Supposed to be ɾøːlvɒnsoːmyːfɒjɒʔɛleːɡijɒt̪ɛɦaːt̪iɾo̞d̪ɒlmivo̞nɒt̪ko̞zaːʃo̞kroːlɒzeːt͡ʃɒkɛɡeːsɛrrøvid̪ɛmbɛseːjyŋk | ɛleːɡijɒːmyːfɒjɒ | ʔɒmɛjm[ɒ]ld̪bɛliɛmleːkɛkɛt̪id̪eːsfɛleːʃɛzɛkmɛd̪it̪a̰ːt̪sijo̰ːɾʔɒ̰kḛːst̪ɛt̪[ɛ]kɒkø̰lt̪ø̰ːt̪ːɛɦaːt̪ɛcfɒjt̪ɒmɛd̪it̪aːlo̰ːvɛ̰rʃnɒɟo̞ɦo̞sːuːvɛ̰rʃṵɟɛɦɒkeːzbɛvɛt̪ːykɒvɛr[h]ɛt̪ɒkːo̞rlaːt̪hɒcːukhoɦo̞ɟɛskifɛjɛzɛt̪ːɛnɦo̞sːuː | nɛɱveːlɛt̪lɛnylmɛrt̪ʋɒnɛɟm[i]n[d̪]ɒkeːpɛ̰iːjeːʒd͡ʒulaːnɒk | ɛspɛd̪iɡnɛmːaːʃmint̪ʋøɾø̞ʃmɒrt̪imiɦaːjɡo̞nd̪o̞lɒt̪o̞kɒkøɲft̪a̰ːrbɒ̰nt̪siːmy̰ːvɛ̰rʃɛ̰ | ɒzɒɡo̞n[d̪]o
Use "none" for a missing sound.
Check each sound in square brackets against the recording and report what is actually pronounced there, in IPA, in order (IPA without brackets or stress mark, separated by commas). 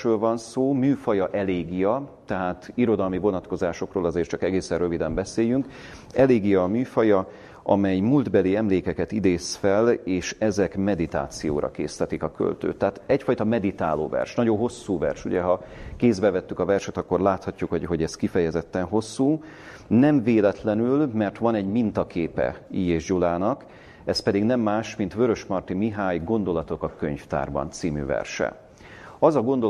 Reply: u, i, ʃ, i, t̪, d̪